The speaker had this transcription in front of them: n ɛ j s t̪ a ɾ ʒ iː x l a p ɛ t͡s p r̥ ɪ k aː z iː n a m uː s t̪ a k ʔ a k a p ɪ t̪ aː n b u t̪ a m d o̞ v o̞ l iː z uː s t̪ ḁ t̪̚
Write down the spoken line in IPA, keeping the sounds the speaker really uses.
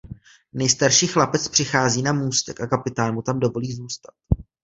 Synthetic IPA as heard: n ɛ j s t̪ a ɾ ʃ iː x l a p ɛ t͡s p r̥ ɪ x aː z iː n a m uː s t̪ ɛ k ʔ a k a p ɪ t̪ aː n m u t̪ a m d o̞ v o̞ l iː z uː s t̪ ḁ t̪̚

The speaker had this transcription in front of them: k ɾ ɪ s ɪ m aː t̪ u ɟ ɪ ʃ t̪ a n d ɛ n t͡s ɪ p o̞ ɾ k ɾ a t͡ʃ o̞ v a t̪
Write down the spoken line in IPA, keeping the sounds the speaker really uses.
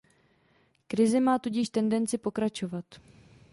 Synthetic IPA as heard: k ɾ ɪ z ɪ m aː t̪ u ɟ ɪ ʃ t̪ ɛ n d ɛ n t͡s ɪ p o̞ k ɾ a t͡ʃ o̞ v a t̪

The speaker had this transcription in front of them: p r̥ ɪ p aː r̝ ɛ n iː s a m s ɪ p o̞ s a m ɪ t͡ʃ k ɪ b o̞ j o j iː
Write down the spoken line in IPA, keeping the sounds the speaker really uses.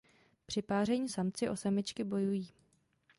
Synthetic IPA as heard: p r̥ ɪ p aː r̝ ɛ ɲ iː s a m t͡s ɪ ʔ o̞ s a m ɪ t͡ʃ k ɪ b o̞ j u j iː

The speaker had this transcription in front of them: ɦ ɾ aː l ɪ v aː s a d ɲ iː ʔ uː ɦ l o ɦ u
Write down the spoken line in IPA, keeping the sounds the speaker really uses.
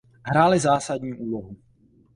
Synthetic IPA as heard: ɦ ɾ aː l ɪ z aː s a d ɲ iː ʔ uː l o ɦ u

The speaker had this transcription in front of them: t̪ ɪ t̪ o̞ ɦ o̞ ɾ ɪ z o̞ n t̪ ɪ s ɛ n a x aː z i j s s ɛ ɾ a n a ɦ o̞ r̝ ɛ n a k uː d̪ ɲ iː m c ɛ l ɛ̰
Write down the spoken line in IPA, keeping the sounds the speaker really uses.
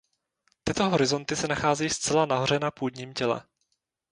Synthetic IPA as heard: t̪ ɪ t̪ o̞ ɦ o̞ ɾ ɪ z o̞ n t̪ ɪ s ɛ n a x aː z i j s t͡s ɛ l a n a ɦ o̞ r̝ ɛ n a p uː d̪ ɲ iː m c ɛ l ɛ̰

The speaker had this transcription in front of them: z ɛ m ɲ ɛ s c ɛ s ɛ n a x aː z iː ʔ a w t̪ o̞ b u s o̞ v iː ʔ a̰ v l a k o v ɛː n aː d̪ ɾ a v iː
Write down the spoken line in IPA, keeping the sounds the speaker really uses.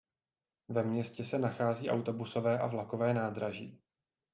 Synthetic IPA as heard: v ɛ m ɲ ɛ s c ɛ s ɛ n a x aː z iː ʔ a w t̪ o̞ b u s o̞ v ɛː ʔ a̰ v l a k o v ɛː n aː d̪ ɾ a ʒ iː

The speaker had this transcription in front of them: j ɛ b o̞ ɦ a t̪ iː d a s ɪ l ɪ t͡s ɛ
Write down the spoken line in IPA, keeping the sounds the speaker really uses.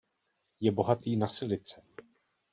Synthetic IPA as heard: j ɛ b o̞ ɦ a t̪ iː n a s ɪ l ɪ t͡s ɛ

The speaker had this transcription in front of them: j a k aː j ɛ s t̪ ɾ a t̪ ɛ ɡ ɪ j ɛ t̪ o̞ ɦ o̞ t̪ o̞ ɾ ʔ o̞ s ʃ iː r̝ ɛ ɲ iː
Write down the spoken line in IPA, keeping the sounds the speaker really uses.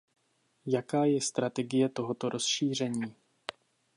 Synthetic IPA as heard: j a k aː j ɛ s t̪ ɾ a t̪ ɛ ɡ ɪ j ɛ t̪ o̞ ɦ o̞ t̪ o̞ ɾ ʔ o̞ s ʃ iː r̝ ɛ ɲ iː

